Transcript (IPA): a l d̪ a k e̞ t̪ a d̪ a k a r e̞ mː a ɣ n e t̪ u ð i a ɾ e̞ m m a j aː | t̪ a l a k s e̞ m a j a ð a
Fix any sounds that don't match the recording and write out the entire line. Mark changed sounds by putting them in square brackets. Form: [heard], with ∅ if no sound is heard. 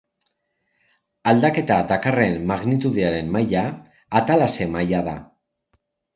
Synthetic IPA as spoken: a l d̪ a k e̞ t̪ a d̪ a k a r e̞ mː a ɣ n [i] t̪ u ð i a ɾ e̞ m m a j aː | t̪ a l a [∅] s e̞ m a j a ð a